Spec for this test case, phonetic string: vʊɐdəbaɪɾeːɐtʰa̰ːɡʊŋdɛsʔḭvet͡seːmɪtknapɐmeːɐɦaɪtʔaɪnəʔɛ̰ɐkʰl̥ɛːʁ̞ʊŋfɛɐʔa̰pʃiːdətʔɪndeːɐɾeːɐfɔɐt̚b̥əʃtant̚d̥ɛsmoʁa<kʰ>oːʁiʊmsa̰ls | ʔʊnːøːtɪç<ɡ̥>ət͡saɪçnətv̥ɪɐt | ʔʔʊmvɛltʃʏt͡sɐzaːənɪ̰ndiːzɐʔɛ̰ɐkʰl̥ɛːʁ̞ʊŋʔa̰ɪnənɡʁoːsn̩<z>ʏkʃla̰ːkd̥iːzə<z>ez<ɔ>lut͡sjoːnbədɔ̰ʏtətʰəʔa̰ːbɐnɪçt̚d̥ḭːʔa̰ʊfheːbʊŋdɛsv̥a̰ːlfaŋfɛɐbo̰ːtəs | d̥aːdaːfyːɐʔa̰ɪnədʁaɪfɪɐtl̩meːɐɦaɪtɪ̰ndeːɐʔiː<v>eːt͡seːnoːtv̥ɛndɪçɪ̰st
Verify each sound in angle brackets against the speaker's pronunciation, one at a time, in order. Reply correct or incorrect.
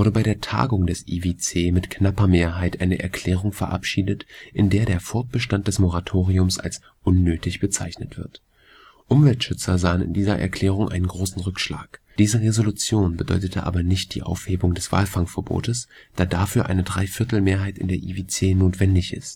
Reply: incorrect, incorrect, incorrect, incorrect, incorrect, correct

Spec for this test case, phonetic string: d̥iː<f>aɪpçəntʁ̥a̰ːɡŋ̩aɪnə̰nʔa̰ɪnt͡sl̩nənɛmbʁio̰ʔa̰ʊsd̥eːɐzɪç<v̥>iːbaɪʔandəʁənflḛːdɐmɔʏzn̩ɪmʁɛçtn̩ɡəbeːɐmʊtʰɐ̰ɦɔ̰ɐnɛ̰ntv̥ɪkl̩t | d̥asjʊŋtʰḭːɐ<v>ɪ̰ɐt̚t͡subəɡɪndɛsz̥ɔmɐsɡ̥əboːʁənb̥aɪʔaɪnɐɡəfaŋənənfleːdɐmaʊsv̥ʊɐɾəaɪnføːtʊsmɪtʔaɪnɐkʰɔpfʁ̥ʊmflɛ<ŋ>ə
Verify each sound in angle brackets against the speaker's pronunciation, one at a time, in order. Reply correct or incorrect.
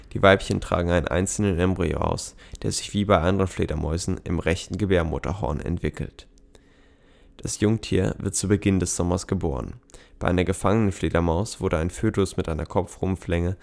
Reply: incorrect, correct, correct, correct

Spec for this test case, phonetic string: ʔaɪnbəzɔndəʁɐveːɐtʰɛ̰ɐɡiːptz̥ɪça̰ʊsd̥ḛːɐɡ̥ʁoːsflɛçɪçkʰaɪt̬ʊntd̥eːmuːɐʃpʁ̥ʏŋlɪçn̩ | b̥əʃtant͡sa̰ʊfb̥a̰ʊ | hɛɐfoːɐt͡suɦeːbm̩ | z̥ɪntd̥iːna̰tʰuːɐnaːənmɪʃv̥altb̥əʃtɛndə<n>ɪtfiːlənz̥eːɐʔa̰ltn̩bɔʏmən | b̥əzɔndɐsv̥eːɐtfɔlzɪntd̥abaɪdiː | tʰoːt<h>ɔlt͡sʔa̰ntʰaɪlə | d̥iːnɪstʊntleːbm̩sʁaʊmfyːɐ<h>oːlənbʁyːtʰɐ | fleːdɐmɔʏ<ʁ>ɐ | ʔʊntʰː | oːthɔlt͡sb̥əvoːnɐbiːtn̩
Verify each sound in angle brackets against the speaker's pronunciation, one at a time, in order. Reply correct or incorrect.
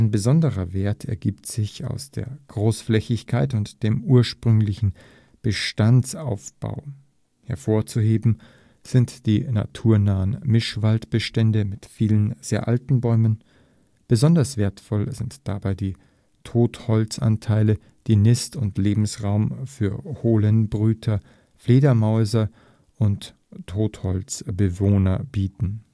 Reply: incorrect, correct, correct, incorrect

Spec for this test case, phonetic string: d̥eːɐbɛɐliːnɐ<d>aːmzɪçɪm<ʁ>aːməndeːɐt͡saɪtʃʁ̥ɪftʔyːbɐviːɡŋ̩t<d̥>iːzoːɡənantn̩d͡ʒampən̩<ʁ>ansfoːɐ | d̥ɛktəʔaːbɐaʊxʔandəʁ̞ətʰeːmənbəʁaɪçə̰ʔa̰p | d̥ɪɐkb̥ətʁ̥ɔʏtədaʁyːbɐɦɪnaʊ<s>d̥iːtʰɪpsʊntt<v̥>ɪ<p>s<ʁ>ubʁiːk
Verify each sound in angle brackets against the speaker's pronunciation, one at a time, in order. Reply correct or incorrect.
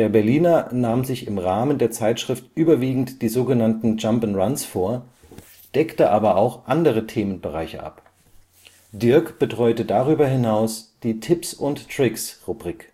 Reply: incorrect, correct, correct, correct, correct, incorrect, incorrect, correct

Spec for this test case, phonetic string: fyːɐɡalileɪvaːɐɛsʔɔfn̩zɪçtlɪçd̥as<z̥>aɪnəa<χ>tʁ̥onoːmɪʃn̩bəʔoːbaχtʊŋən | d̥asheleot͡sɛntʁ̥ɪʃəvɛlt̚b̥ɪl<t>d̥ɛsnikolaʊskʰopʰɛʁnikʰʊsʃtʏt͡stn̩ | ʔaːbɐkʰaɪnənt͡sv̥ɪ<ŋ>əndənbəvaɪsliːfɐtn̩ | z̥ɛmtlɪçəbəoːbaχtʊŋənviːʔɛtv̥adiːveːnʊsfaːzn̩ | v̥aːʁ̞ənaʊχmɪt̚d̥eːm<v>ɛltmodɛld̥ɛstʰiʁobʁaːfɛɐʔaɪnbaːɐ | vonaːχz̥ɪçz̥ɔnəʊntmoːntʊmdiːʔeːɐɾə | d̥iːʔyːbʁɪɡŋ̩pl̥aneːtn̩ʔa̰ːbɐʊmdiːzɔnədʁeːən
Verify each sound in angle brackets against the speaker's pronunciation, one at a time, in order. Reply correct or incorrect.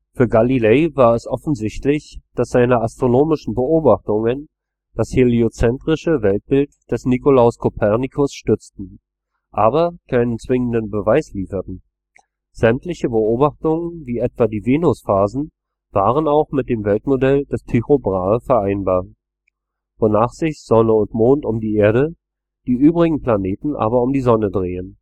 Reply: correct, incorrect, correct, correct, correct

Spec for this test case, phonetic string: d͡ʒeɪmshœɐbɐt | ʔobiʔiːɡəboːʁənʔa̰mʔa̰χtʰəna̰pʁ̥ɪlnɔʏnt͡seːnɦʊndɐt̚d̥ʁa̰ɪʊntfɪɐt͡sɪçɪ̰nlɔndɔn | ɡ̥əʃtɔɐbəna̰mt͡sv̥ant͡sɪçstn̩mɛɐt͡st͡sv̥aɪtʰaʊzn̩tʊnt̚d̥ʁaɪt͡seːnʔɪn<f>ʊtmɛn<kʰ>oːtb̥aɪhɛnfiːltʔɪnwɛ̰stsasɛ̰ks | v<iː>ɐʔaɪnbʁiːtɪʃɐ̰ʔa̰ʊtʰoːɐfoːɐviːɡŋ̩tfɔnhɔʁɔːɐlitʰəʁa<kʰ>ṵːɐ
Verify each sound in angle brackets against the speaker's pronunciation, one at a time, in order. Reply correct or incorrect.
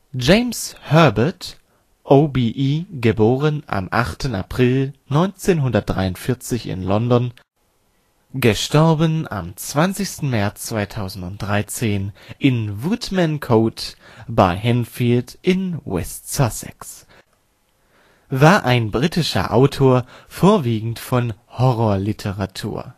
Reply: incorrect, correct, incorrect, incorrect

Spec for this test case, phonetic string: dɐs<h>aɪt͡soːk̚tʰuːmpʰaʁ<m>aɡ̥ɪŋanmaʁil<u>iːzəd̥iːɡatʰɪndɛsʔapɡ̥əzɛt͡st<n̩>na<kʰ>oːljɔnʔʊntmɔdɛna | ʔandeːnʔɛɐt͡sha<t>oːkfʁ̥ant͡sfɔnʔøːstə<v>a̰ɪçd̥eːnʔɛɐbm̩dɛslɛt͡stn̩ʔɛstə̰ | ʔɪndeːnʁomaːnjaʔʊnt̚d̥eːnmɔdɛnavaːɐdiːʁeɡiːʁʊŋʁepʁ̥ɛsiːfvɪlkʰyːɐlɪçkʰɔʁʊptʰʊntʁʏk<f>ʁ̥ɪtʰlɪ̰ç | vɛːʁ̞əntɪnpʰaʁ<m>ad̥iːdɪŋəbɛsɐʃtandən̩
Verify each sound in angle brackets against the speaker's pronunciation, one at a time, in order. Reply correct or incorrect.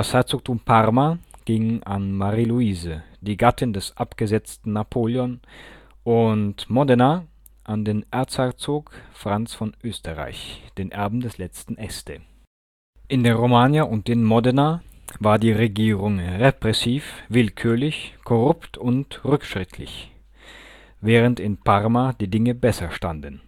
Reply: correct, correct, correct, correct, incorrect, incorrect, incorrect, incorrect, correct

